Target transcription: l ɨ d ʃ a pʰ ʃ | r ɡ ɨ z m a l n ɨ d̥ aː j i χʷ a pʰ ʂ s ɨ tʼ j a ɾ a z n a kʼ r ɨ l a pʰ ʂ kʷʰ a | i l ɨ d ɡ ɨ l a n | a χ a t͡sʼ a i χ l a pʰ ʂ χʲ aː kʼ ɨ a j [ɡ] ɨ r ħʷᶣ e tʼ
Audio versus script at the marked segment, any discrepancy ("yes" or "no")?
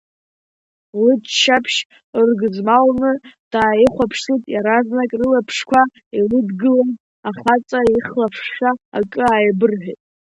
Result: yes